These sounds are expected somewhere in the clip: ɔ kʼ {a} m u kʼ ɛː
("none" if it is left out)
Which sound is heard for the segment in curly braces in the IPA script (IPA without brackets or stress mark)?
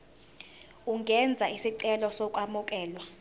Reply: a